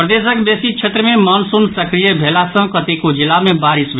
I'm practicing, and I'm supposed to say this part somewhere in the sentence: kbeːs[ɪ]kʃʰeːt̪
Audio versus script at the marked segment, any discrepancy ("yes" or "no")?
yes